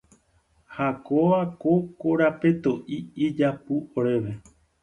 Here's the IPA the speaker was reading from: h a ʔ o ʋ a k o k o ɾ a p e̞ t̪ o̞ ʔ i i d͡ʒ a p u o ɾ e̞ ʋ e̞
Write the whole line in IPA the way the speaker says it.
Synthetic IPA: h a k o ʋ a k o k o ɾ a p e̞ t̪ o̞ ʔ i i d͡ʒ a p u o ɾ e̞ ʋ e̞